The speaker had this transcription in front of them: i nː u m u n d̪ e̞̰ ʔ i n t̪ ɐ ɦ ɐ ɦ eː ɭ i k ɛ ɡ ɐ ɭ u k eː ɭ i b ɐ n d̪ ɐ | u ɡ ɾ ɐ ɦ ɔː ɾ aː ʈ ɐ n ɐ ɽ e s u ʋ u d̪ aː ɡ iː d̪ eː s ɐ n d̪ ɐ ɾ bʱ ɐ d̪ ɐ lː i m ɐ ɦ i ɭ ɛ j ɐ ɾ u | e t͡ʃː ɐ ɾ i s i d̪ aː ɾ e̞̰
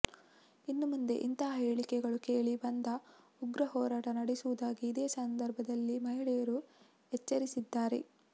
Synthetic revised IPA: i nː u m u n d̪ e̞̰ ʔ i n t̪ ɐ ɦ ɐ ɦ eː ɭ i k ɛ ɡ ɐ ɭ u k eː ɭ i b ɐ n d̪ ɐ | u ɡ ɾ ɐ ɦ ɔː ɾ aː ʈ ɐ n ɐ ɽ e s u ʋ u d̪ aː ɡ iː d̪ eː s ɐ n d̪ ɐ ɾ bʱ ɐ d̪ ɐ lː i m ɐ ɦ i ɭ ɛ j ɐ ɾ u | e t͡ʃː ɐ ɾ i s i d̪ː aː ɾ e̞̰